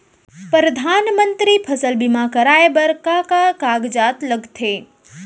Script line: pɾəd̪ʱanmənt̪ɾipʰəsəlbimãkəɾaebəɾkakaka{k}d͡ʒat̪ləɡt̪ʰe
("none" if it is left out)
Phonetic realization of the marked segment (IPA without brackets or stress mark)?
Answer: ɡ